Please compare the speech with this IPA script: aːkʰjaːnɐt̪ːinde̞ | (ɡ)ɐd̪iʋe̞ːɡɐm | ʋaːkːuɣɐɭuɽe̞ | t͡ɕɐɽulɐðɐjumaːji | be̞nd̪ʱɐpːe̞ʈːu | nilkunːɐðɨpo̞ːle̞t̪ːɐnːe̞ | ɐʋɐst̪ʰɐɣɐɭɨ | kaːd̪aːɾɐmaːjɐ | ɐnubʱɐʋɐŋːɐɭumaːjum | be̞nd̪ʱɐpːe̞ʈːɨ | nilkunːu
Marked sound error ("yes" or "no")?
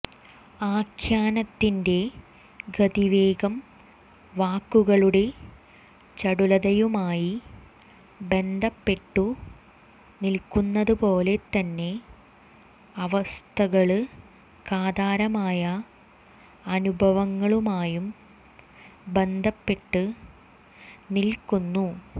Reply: no